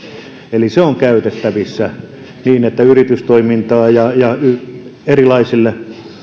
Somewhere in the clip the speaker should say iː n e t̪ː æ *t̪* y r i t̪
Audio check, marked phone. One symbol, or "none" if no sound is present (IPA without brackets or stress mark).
none